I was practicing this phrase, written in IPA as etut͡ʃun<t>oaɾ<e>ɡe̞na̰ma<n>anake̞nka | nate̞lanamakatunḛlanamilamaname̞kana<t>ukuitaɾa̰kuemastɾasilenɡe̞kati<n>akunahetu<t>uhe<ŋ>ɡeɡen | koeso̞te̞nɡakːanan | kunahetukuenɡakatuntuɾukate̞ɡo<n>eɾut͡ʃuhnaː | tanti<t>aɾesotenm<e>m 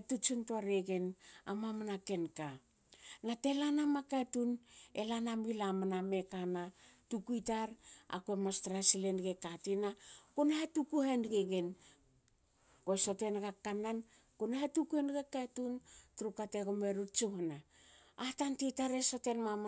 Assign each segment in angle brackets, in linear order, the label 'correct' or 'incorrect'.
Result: correct, correct, incorrect: m, correct, correct, incorrect: k, incorrect: n, incorrect: m, correct, incorrect: a

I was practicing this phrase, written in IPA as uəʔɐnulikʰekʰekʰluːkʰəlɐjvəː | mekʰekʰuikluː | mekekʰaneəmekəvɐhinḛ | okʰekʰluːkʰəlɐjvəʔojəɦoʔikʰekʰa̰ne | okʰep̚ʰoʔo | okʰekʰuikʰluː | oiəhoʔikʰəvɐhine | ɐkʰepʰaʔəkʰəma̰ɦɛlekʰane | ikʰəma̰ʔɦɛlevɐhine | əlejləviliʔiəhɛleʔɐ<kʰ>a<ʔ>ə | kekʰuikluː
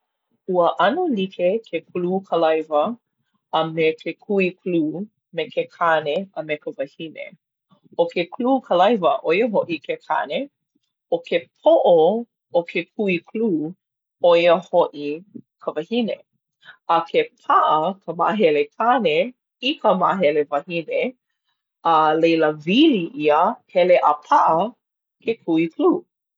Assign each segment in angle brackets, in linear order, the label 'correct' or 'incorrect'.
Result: incorrect: pʰ, correct

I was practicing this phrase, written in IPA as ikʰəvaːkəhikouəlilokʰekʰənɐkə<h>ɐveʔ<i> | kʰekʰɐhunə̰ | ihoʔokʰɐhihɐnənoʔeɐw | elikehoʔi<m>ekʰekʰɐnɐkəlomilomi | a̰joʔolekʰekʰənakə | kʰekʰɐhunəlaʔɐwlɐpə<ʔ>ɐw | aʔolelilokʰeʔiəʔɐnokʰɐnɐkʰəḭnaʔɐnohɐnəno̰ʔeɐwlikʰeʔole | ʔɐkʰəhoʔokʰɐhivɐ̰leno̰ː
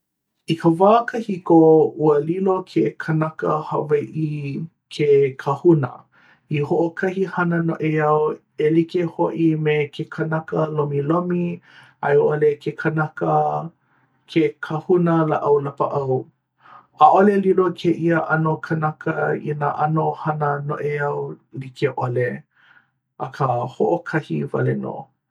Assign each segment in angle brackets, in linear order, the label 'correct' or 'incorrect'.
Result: correct, correct, correct, correct

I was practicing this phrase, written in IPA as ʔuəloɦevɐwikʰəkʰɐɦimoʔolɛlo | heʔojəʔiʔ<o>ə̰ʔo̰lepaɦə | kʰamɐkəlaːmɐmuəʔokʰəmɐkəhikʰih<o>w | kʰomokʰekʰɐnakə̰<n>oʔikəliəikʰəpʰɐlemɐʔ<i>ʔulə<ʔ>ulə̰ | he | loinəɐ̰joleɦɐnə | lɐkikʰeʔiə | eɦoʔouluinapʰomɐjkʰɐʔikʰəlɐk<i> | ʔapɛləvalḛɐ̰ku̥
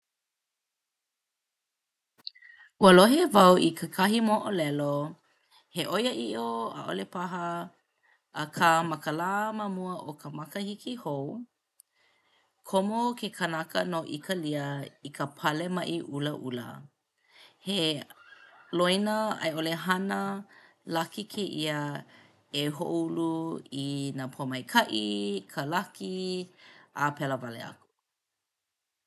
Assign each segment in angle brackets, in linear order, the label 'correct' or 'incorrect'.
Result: correct, correct, correct, correct, correct, correct

